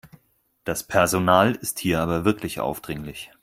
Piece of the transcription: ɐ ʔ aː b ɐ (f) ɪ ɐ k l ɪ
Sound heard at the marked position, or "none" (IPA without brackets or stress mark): v